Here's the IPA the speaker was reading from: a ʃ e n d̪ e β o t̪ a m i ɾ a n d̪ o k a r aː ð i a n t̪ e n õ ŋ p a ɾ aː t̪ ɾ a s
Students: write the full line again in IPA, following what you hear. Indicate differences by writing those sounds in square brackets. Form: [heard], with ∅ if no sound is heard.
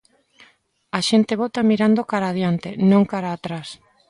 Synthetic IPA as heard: a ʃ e n [t̪] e β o t̪ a m i ɾ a n d̪ o k a [ɾ] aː ð [j] a n t̪ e n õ ŋ [k] a ɾ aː t̪ ɾ a s